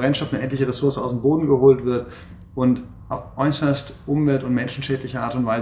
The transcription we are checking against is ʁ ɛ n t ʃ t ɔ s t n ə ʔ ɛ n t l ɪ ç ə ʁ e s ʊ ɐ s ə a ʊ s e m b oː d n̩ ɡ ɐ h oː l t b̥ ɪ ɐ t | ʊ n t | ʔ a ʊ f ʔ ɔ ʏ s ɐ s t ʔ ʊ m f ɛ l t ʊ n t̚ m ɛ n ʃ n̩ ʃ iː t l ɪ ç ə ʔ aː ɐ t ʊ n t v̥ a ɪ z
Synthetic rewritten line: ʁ ɛ n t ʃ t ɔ f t n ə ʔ ɛ n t l ɪ ç ə ʁ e s ʊ ɐ s ə a ʊ s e m b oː d n̩ ɡ ə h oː l t v̥ ɪ ɐ t | ʊ n t | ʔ a ʊ f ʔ ɔ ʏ s ɐ s t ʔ ʊ m v ɛ l t ʊ n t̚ m ɛ n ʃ n̩ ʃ ɛː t l ɪ ç ə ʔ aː ɐ t ʊ n t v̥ a ɪ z

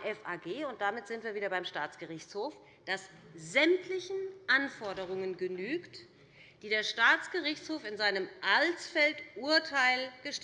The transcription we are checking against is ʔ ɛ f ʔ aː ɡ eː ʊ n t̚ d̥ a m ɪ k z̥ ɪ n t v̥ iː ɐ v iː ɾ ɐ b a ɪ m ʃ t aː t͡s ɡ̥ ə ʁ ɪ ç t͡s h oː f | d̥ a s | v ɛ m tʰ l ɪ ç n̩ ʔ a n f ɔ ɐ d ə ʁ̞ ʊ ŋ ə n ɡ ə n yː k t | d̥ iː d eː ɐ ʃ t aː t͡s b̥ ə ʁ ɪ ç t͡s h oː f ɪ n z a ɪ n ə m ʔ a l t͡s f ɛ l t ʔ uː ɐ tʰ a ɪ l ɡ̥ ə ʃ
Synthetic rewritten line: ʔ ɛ f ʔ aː ɡ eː ʊ n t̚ d̥ a m ɪ t z̥ ɪ n t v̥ iː ɐ v iː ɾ ɐ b a ɪ m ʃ t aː t͡s ɡ̥ ə ʁ ɪ ç t͡s h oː f | d̥ a s | z ɛ m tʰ l ɪ ç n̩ ʔ a n f ɔ ɐ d ə ʁ̞ ʊ ŋ ə n ɡ ə n yː k t | d̥ iː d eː ɐ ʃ t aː t͡s ɡ̥ ə ʁ ɪ ç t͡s h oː f ɪ n z a ɪ n ə m ʔ a l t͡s f ɛ l t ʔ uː ɐ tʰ a ɪ l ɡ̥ ə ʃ

